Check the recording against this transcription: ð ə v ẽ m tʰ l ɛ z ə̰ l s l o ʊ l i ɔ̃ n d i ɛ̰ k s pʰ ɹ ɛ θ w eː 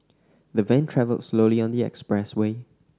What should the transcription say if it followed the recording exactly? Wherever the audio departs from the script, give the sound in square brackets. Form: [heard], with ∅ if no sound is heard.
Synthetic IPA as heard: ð ə v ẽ [n] tʰ [ɹ] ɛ [v] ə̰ l s l o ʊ l i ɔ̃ n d i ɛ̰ k s [p] ɹ ɛ [s] w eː